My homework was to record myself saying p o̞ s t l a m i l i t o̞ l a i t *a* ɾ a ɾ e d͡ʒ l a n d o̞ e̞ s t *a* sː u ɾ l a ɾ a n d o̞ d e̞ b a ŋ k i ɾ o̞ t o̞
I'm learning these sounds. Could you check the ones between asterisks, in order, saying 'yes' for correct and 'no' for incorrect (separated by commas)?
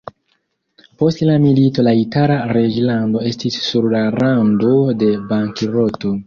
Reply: yes, no